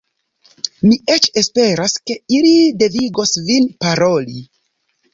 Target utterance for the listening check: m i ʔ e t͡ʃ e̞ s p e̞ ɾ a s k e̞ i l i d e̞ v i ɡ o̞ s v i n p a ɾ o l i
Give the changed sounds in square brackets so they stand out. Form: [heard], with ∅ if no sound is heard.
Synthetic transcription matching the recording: m i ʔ e t͡ʃ e̞ s p e̞ ɾ a s k e̞ i l i d e̞ v i ɡ o̞ s v i n p a ɾ o l i

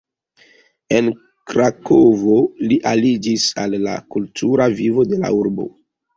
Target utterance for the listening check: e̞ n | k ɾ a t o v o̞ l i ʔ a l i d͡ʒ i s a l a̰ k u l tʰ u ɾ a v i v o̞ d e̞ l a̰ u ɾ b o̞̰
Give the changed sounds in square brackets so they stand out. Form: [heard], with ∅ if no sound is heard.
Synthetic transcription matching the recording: e̞ n | k ɾ a [k] o v o̞ l i ʔ a l i d͡ʒ i s a [lː] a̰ k u l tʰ u ɾ a v i v o̞ d e̞ l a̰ u ɾ b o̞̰

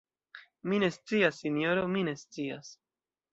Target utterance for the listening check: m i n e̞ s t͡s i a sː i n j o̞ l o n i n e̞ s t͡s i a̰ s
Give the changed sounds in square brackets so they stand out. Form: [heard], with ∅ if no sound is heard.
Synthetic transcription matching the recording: m i n e̞ s t͡s i a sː i n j o̞ [ɾ] o [m] i n e̞ s t͡s i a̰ s

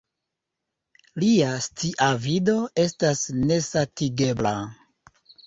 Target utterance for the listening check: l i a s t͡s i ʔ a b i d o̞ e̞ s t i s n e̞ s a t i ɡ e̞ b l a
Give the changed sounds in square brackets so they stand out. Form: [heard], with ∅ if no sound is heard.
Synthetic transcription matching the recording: l i a s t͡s i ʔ a [v] i d o̞ e̞ s t [a] s n e̞ s a t i ɡ e̞ b l a

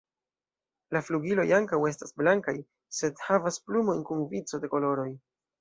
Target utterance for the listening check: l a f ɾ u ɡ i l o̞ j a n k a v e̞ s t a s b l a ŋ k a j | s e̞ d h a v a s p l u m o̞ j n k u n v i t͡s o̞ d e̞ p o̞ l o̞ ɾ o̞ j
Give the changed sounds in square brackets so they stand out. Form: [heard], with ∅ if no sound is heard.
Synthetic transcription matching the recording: l a f [l] u ɡ i l o̞ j a [ŋ] k a [w] e̞ s t a s b l a ŋ k a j | s e̞ d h a v a s p l u m o̞ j n k u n v i t͡s o̞ d e̞ [k] o̞ l o̞ ɾ o̞ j

